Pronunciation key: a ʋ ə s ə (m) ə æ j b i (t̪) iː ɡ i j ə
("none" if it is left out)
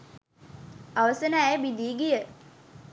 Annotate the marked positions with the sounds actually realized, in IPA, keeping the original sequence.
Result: n, d̪

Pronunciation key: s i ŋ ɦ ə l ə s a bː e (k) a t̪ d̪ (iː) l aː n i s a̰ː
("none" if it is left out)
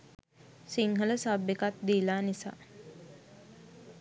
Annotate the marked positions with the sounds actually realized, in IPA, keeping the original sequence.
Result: k, iː

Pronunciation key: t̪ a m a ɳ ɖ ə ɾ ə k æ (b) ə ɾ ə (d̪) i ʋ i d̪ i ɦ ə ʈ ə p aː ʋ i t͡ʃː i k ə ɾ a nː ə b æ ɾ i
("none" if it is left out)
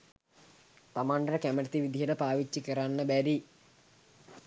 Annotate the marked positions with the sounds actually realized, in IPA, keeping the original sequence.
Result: m, t̪

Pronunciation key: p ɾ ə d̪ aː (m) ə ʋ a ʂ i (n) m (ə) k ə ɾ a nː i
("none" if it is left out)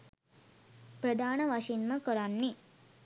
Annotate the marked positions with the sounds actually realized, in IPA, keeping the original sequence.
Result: n, n, ə

